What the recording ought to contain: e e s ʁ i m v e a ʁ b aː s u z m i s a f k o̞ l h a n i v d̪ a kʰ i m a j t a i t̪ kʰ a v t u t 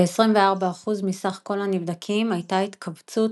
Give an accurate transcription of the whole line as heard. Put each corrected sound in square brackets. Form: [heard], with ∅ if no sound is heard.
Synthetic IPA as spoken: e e s ʁ i m v e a ʁ b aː [χ] u z m i s a [χ] k o̞ l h a n i v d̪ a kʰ i m a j t a i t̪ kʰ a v [t͡s] u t

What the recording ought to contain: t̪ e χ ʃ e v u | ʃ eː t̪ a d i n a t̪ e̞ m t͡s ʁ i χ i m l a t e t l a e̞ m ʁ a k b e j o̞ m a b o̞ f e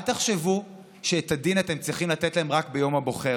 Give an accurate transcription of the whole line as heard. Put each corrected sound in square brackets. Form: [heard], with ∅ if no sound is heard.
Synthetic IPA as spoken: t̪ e χ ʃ e v u | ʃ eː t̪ a d i n a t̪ e̞ m t͡s ʁ i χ i m l a t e t l a e̞ m ʁ a k b e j o̞ m a b o̞ [χ] e

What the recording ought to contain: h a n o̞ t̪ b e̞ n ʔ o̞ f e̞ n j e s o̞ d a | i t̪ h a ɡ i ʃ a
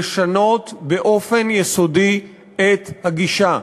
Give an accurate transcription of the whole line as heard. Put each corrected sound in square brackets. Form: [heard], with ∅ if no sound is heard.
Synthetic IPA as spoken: [ʃ] a n o̞ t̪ b e̞ [∅] ʔ o̞ f e̞ n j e s o̞ d [i] | [e] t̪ h a ɡ i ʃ a

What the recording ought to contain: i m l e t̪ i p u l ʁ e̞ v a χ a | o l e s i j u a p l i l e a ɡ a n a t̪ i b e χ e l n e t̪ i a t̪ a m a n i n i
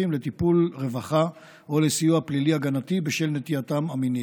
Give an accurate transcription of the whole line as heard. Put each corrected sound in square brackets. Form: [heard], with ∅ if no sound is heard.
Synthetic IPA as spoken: i m l e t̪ i p u l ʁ e̞ v a χ a | o l e s i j u a p l i l [i] a ɡ a n a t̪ i b e [ʃ] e l n e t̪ i a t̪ a m a [m] i n i

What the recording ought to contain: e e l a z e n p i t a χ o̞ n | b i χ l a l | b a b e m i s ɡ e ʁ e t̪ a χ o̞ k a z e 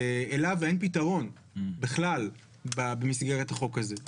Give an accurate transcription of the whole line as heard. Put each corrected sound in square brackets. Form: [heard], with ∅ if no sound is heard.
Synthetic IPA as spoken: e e l a [v] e n p i t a [ʁ] o̞ n | b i χ l a l | b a b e m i s ɡ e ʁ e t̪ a χ o̞ k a z e

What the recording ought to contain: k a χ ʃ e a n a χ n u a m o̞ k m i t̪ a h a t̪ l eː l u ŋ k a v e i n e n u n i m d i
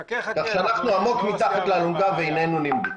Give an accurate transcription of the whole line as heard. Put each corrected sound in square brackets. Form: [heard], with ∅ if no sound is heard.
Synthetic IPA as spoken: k a χ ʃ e a n a χ n u a m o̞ k m i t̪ a [χ] a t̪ l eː l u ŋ [ɡ] a v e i n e n u n i m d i

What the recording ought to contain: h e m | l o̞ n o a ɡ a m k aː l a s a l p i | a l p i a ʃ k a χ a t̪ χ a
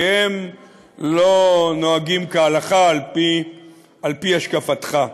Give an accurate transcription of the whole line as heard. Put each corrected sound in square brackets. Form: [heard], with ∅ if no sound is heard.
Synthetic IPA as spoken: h e m | l o̞ n o a ɡ [i] m k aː l a [χ] a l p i | a l p i a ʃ k a [f] a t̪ χ a

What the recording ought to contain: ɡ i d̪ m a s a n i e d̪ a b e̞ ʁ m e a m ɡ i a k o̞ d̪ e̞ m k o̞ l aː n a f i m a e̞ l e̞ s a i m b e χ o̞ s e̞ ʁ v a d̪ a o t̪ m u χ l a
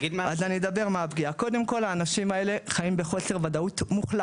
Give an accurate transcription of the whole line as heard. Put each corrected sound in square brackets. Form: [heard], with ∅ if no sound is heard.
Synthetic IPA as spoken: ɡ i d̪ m a [z] a n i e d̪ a b e̞ ʁ m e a [b] ɡ i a k o̞ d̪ e̞ m k o̞ l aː n a [ʃ] i m a e̞ l e̞ [χ] a i m b e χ o̞ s e̞ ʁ v a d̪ a [u] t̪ m u χ l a

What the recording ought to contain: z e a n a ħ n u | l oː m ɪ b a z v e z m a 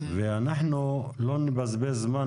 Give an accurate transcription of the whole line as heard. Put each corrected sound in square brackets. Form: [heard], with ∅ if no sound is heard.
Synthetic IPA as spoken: [v] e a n a ħ n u | l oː [n] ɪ b a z [b] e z m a

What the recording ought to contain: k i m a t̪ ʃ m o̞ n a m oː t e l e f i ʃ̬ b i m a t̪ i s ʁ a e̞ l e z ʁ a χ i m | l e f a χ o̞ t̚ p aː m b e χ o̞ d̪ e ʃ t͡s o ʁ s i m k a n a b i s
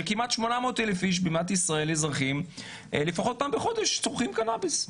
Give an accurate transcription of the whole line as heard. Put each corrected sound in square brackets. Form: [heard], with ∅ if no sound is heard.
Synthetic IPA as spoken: k i m a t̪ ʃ m o̞ n a m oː t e l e f i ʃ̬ b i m a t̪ i s ʁ a e̞ l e z ʁ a χ i m | l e f a χ o̞ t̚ p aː m b e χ o̞ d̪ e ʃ t͡s o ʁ [χ] i m k a n a b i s

